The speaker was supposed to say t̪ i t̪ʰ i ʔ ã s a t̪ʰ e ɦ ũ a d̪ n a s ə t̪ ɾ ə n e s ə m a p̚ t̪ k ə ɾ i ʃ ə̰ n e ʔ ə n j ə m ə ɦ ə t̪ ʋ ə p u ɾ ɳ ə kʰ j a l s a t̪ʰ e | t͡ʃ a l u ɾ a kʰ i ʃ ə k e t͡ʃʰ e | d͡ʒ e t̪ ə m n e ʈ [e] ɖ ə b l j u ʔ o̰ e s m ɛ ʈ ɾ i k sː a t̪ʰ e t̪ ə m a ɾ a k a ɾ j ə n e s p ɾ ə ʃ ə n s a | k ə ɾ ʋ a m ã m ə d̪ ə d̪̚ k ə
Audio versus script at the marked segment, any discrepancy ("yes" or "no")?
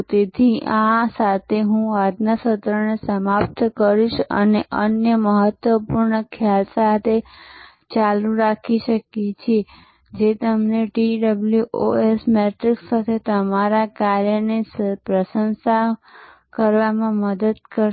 yes